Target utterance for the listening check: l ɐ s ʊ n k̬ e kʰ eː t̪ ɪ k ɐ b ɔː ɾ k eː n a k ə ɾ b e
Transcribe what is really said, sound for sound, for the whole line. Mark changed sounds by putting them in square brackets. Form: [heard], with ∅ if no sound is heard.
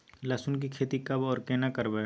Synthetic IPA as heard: l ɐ s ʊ n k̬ [i] kʰ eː t̪ [i] k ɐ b ɔː ɾ k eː n a k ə ɾ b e